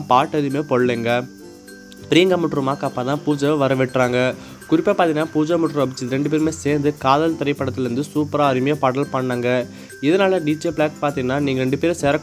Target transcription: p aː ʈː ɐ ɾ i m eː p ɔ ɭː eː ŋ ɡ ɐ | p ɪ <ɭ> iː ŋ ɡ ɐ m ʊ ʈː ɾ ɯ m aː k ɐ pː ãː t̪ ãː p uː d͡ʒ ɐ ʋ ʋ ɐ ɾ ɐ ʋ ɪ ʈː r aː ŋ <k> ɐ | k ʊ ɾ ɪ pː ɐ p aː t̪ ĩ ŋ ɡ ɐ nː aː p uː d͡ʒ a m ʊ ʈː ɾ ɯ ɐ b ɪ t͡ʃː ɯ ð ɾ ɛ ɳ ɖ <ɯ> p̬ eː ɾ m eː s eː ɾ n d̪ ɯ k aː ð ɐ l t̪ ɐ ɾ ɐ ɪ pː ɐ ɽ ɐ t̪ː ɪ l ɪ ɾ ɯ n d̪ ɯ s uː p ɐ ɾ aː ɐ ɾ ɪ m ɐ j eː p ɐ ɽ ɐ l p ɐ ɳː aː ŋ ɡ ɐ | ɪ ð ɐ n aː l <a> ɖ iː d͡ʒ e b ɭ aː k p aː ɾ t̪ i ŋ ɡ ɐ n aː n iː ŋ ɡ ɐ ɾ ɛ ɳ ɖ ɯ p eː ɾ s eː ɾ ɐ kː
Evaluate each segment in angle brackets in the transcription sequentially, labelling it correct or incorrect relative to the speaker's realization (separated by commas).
incorrect, incorrect, correct, incorrect